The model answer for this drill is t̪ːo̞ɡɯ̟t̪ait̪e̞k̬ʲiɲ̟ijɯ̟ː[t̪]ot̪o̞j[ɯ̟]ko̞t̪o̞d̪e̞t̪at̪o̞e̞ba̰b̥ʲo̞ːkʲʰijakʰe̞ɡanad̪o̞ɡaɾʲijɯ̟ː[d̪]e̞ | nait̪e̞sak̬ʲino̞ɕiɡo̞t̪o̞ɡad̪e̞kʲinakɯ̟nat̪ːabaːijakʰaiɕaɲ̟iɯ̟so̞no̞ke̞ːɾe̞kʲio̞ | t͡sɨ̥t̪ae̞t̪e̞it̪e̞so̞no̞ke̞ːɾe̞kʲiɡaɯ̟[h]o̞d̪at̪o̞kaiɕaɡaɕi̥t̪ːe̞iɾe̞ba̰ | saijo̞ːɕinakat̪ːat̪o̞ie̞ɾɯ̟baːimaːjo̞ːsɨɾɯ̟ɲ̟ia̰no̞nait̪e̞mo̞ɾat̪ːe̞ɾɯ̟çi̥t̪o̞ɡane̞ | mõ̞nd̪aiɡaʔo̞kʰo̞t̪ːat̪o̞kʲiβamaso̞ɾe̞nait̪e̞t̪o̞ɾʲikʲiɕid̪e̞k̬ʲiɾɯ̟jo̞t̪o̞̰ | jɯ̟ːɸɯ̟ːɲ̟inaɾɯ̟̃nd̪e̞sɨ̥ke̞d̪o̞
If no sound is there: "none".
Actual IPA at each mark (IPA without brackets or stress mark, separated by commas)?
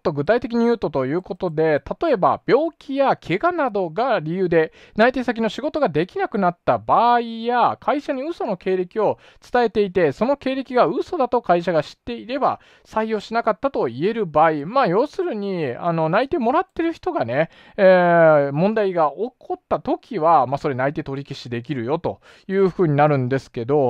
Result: t̪, ɯ̟ː, d̪, s